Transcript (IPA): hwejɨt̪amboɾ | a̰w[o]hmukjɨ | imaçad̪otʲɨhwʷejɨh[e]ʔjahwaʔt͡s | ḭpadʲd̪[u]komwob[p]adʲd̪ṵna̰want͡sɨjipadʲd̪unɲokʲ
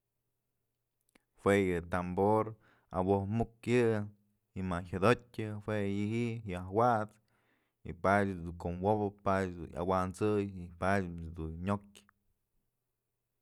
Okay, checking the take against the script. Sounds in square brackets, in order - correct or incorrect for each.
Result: correct, incorrect, correct, correct

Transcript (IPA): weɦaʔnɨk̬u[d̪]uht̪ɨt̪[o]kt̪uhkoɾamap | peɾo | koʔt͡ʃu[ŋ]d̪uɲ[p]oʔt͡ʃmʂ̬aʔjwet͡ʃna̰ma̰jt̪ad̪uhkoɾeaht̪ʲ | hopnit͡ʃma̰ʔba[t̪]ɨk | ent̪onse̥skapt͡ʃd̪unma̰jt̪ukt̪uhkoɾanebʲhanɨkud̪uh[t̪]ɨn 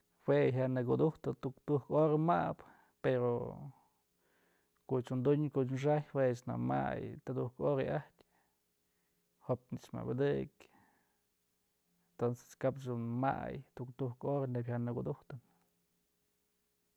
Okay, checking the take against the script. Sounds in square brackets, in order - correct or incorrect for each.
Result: correct, incorrect, incorrect, incorrect, incorrect, correct

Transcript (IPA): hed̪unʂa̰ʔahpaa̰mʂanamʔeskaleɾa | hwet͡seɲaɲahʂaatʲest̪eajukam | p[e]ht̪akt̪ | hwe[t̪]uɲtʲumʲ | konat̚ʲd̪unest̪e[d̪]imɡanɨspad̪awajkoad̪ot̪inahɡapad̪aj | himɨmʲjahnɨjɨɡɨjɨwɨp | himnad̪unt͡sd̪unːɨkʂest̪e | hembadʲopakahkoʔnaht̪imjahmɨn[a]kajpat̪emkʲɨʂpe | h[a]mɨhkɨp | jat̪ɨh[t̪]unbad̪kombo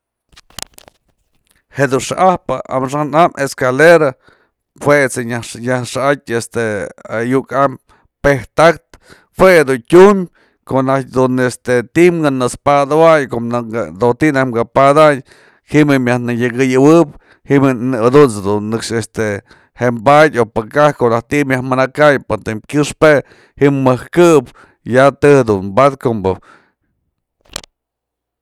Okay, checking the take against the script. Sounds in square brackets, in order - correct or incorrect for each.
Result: correct, incorrect, incorrect, correct, incorrect, incorrect

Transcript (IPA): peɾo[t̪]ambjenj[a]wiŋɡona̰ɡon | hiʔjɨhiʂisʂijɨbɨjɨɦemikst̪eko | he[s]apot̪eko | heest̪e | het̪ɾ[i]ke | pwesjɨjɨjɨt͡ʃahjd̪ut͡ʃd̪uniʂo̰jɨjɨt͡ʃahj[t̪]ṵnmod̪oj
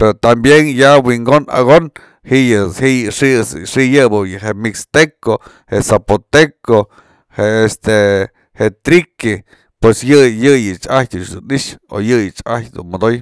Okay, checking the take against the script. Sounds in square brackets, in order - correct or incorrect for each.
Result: correct, correct, correct, correct, incorrect

